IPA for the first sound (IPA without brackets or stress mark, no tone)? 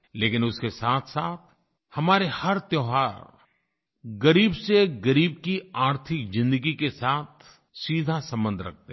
l